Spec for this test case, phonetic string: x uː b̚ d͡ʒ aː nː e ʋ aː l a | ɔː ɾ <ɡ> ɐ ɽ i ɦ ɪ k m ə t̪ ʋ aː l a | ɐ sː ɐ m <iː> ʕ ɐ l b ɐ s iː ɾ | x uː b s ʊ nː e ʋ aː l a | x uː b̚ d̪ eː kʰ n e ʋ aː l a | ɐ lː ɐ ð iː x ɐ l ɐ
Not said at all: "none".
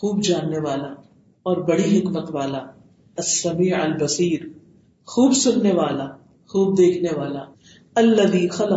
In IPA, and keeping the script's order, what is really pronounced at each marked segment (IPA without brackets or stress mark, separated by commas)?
b, iː